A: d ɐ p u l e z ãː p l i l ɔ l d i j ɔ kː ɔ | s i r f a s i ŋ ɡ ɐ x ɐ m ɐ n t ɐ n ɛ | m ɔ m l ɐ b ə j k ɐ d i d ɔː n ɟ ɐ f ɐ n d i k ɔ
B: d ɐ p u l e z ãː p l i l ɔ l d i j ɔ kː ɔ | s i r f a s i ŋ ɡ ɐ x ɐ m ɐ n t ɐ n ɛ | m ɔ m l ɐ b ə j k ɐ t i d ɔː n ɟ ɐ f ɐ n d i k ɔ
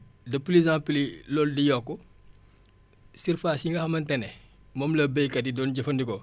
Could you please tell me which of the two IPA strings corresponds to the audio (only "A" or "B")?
A